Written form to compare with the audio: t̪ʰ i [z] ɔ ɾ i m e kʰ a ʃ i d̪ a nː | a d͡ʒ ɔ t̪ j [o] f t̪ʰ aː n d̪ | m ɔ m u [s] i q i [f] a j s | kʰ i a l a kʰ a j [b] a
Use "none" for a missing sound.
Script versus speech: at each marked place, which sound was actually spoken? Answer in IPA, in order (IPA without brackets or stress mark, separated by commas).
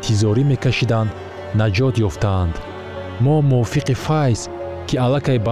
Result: z, ɔ, f, f, b